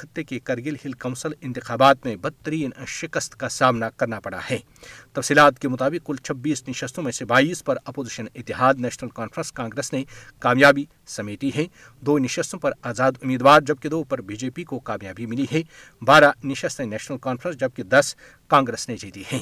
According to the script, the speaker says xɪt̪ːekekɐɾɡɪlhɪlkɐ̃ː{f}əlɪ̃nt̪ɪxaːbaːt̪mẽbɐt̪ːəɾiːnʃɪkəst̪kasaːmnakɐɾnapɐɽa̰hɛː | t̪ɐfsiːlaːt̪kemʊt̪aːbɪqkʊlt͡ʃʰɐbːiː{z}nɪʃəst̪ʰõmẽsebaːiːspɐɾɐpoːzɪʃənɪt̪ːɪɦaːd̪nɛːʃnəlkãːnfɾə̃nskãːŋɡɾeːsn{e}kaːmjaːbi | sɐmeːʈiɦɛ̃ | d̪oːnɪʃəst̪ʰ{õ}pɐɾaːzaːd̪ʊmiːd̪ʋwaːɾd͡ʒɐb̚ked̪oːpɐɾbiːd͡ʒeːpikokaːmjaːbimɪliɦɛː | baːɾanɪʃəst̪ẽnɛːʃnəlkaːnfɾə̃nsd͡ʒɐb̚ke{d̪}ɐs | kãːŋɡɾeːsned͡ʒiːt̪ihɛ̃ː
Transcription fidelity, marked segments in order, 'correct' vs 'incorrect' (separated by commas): incorrect, incorrect, correct, correct, correct